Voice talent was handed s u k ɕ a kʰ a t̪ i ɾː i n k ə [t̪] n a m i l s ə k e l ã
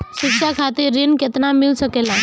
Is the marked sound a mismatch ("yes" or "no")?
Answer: no